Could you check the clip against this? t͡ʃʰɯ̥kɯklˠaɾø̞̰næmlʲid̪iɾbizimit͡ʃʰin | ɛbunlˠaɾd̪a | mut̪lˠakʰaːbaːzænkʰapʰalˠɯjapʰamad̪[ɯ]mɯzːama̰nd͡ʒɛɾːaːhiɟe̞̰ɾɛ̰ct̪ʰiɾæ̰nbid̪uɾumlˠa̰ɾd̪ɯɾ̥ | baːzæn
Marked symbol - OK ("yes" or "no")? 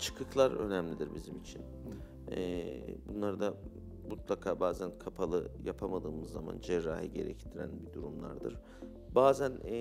no